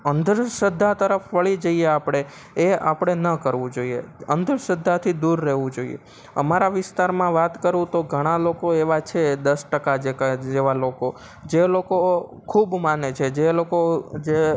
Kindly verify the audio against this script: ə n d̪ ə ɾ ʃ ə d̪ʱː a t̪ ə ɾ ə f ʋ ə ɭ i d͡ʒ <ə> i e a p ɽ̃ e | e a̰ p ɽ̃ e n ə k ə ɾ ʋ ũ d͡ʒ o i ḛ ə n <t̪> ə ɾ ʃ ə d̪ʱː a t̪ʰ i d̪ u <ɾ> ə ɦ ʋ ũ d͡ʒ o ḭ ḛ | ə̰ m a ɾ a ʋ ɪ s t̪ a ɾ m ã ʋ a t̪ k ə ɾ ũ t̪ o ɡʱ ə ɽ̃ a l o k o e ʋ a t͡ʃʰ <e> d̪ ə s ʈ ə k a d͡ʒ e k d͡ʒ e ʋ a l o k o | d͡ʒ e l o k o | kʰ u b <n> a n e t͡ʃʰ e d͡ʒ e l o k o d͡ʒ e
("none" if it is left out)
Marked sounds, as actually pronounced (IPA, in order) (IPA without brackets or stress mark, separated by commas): ə, d̪, ɾː, e, m